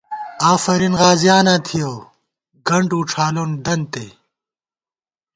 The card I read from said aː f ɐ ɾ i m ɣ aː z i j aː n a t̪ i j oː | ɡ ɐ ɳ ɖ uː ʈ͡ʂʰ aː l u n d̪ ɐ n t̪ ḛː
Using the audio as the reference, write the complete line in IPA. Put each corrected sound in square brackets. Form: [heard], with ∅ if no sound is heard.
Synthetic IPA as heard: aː f ɐ ɾ i [n] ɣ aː z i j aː n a [t̪ʰ] i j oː | ɡ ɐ ɳ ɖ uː ʈ͡ʂʰ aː l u n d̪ ɐ n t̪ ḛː